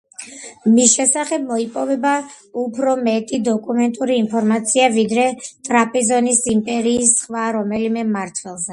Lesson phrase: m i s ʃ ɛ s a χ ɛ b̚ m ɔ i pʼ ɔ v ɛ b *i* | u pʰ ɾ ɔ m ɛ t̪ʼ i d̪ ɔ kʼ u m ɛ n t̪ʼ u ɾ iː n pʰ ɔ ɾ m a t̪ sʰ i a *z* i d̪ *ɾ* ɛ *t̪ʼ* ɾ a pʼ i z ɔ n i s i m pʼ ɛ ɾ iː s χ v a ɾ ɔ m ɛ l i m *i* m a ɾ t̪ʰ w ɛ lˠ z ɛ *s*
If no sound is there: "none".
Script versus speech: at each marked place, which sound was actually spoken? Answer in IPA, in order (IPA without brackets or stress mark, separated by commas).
a, v, ɾ, t̪ʼ, ɛ, none